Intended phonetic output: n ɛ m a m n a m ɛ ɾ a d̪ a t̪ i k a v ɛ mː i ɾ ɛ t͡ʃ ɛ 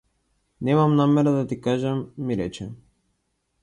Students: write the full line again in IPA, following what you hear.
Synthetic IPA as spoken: n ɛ m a m n a m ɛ ɾ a d̪ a t̪ i k a ʒ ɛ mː i ɾ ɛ t͡ʃ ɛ